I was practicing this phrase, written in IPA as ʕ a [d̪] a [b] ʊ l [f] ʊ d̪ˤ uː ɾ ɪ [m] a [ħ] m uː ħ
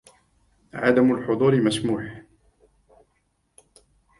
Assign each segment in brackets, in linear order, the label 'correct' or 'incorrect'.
correct, incorrect, incorrect, correct, incorrect

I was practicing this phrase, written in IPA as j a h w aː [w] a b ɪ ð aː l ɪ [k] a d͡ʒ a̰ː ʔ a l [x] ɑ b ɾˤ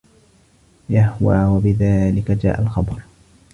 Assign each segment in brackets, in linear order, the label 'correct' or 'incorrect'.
correct, correct, correct

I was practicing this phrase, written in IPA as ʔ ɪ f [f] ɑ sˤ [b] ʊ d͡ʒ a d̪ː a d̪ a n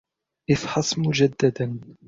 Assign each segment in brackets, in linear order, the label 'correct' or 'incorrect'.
incorrect, incorrect

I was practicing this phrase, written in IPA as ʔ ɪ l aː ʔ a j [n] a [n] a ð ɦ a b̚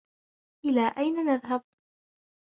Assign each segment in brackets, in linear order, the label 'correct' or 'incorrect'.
correct, correct

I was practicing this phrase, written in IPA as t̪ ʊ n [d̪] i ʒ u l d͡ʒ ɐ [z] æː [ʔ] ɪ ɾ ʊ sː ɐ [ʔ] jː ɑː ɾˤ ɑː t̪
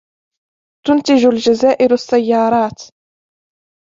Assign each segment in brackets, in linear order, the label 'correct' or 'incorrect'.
incorrect, correct, correct, incorrect

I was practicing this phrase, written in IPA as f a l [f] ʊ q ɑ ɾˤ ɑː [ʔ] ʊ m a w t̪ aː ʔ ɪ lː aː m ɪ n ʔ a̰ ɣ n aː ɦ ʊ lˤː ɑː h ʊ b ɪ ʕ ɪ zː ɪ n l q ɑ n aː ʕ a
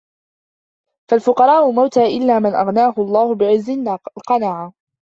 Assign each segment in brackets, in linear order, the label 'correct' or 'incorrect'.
correct, correct

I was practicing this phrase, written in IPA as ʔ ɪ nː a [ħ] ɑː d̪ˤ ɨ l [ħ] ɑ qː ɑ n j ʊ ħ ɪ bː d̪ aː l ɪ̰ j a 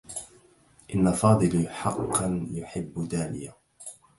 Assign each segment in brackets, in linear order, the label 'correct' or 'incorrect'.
incorrect, correct

